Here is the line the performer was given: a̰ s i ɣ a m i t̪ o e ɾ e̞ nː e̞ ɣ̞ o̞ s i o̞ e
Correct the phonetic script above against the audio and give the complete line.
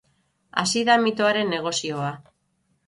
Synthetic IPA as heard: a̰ s i ð a m i t̪ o a ɾ e̞ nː e̞ ɣ̞ o̞ s i o̞ a